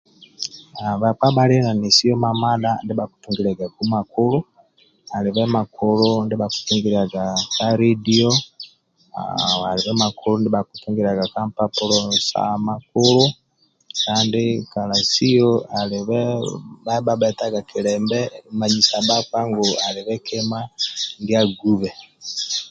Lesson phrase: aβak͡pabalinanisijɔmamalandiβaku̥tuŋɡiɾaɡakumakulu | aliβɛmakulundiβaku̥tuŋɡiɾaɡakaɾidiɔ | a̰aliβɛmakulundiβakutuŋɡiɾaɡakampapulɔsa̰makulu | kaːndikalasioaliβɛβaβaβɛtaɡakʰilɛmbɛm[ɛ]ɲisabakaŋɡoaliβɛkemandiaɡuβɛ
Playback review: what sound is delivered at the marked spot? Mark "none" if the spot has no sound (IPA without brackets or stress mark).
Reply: a